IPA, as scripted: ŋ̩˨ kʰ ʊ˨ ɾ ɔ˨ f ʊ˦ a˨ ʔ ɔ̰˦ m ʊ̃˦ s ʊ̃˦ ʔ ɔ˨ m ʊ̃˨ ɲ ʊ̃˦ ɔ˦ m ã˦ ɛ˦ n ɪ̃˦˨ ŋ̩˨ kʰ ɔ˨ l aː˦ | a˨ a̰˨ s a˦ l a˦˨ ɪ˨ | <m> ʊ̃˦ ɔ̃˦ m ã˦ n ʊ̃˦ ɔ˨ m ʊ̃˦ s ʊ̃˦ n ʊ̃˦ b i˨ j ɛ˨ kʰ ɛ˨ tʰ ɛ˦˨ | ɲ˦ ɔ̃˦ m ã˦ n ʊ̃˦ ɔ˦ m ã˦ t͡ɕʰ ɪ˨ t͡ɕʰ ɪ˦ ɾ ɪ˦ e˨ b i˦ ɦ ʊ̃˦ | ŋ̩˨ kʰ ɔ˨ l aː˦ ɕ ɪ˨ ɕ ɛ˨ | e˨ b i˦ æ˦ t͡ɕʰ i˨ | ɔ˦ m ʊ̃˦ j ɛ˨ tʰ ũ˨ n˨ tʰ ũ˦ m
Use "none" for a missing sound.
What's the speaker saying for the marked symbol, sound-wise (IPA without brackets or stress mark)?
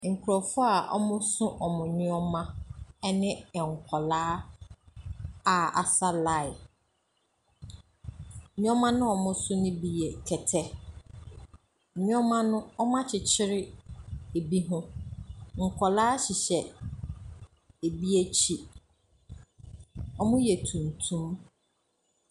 ɲ